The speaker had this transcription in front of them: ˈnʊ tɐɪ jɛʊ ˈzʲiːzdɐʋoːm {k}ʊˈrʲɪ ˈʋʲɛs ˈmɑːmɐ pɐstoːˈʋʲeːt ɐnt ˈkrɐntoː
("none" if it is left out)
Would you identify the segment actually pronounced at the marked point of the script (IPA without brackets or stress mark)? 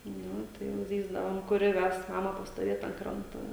k